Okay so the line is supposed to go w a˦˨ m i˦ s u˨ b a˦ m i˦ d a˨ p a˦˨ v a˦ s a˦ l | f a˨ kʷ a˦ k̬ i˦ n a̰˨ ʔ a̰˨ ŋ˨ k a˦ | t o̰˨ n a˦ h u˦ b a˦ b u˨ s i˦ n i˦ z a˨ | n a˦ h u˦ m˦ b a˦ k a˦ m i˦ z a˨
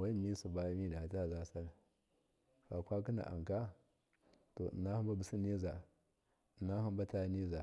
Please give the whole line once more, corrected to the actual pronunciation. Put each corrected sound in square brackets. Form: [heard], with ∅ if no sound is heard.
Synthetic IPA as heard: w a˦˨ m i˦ s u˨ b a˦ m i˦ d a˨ [t] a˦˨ [z] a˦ s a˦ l | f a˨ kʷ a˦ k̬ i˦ n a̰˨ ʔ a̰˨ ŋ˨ k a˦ | t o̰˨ n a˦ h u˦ b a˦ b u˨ s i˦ n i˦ z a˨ | n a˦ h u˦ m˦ b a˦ [t] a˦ [n] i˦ z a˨